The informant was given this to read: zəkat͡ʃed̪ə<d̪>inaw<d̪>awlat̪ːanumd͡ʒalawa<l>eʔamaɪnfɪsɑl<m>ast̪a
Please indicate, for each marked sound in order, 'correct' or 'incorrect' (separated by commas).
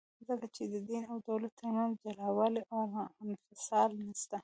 correct, correct, correct, incorrect